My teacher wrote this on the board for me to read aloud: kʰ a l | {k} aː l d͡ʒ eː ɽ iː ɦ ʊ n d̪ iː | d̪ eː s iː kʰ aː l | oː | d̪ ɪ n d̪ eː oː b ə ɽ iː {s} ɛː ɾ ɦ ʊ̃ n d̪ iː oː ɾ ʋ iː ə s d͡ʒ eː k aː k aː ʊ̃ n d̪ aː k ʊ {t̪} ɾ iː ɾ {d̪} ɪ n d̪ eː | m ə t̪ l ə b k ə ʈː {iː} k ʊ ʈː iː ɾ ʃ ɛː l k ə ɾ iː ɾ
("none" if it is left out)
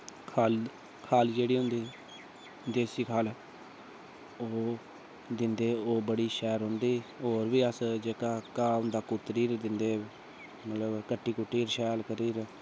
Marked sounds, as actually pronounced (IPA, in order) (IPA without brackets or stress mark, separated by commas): kʰ, ʃ, t̪, d̪, iː